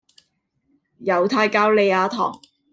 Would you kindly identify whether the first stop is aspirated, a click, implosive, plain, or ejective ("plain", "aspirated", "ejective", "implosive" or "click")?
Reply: aspirated